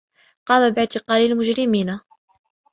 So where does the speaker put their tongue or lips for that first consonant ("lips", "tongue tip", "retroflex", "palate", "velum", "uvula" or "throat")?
uvula